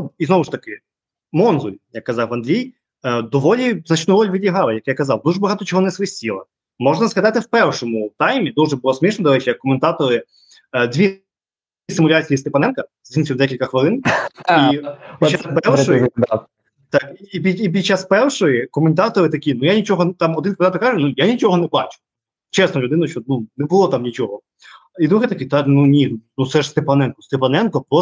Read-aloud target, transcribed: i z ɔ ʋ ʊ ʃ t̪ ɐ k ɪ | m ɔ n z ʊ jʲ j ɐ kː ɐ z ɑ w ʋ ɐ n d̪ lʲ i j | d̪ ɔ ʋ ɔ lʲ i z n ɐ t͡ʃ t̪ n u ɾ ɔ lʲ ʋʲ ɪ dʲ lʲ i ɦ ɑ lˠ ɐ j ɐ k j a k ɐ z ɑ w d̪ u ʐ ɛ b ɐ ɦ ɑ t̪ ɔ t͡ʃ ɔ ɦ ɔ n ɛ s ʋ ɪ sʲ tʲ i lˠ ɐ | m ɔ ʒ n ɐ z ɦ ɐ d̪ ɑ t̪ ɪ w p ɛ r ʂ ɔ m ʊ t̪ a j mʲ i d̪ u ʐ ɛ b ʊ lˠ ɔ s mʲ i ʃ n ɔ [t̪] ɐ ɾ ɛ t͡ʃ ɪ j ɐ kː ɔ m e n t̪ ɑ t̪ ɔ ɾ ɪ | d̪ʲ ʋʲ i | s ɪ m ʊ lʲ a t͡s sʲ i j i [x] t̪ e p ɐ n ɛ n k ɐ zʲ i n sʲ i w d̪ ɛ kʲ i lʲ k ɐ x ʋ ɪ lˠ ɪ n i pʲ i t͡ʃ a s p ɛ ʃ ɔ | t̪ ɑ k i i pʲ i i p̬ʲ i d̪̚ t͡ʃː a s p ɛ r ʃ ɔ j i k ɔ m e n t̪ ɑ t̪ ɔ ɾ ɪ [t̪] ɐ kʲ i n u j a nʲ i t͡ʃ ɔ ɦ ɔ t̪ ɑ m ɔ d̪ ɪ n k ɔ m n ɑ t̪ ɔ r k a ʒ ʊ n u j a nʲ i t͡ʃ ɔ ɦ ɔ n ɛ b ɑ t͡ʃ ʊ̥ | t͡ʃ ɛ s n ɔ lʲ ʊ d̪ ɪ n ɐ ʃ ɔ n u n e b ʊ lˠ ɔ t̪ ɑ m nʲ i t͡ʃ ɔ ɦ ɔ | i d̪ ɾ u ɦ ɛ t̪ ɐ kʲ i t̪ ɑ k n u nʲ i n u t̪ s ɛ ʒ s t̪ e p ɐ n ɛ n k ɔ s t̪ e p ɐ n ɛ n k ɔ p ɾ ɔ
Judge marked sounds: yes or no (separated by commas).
no, no, yes